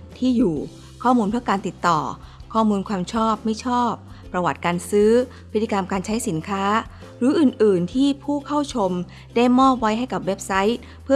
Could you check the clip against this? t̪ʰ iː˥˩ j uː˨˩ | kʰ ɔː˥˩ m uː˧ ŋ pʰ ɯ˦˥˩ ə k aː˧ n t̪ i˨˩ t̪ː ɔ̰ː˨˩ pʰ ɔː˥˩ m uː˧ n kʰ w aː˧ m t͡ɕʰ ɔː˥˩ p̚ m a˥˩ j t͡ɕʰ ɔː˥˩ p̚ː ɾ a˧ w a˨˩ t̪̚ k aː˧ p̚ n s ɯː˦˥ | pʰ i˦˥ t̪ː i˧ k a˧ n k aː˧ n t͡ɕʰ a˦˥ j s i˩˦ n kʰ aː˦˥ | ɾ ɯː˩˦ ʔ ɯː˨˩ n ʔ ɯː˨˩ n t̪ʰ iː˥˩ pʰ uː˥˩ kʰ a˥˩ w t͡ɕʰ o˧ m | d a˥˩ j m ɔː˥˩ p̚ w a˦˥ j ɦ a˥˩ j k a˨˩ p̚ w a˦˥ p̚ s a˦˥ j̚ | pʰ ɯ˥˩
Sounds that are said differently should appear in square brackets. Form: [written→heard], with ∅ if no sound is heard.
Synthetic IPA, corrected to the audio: t̪ʰ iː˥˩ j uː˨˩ | kʰ ɔː˥˩ m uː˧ [ŋ→n] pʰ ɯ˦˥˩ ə k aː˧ n t̪ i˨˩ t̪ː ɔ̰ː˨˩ [pʰ→kʰ] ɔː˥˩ m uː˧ n kʰ w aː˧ m t͡ɕʰ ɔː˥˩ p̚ m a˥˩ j t͡ɕʰ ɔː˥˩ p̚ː ɾ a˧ w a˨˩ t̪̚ k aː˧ [p̚→∅] n s ɯː˦˥ | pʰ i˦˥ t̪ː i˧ k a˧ [n→m] k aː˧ n t͡ɕʰ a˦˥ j s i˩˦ n kʰ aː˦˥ | ɾ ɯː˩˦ ʔ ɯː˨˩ n ʔ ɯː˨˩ n t̪ʰ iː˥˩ pʰ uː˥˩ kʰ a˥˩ w t͡ɕʰ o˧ m | d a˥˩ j m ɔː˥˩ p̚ w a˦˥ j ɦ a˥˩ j k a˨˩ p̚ w [a˦˥→e˦˥] p̚ s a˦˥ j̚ | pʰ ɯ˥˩